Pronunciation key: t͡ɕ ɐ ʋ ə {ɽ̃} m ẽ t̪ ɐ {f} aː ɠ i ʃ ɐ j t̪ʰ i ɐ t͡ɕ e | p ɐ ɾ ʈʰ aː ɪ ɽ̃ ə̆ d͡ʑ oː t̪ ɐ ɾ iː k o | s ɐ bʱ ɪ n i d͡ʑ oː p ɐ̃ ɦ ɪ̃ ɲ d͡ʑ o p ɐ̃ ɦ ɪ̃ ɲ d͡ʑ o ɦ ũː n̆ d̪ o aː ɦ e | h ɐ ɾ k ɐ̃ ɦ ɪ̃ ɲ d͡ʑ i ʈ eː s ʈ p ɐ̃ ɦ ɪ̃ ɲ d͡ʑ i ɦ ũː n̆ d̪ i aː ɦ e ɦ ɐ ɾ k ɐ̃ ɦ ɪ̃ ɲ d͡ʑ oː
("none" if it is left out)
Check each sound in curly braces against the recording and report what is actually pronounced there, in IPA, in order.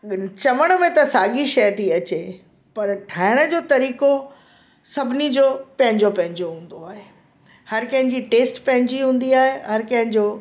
ɽ̃, s

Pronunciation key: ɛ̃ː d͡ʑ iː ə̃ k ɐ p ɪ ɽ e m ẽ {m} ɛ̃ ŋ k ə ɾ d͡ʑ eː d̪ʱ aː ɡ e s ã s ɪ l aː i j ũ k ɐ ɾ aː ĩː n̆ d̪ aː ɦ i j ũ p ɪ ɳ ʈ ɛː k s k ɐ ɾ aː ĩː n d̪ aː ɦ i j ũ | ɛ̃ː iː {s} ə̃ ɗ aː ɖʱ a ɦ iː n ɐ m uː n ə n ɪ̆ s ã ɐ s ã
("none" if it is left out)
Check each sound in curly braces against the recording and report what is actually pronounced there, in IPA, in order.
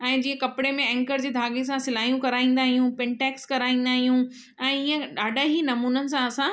none, none

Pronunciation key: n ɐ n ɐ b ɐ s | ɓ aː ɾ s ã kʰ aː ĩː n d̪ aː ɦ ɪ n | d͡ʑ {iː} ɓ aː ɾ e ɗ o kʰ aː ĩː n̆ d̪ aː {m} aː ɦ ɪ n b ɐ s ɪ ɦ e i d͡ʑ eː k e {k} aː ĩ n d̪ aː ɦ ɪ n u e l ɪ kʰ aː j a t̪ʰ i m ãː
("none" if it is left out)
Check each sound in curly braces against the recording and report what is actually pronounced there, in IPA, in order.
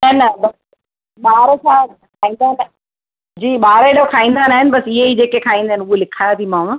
iː, n, kʰ

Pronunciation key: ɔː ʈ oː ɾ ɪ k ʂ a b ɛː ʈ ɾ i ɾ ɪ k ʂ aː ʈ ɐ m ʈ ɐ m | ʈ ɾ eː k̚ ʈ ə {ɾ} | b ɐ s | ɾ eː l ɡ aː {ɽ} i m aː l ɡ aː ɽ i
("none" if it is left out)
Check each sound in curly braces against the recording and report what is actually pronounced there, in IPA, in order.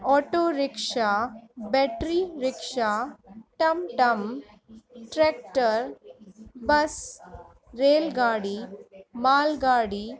ɾ, ɽ

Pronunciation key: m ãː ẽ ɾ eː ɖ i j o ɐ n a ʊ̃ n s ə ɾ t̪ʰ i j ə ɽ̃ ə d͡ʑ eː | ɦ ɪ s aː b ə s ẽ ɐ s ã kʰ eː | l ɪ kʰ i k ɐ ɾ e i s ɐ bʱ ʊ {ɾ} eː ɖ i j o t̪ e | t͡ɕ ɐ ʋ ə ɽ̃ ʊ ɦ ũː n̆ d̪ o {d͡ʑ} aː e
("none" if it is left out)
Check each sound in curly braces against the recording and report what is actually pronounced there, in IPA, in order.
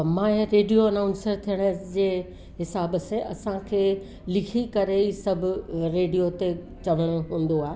ɾ, none

